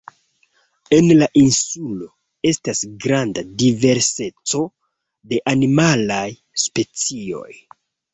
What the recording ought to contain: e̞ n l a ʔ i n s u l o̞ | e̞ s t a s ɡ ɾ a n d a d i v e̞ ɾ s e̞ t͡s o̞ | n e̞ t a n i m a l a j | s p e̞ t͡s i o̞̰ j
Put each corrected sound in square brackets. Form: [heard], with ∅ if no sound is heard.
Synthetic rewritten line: e̞ n l a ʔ i n s u l o̞ | e̞ s t a s ɡ ɾ a n d a d i v e̞ ɾ s e̞ t͡s o̞ | [d] e̞ [ʔ] a n i m a l a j | s p e̞ t͡s i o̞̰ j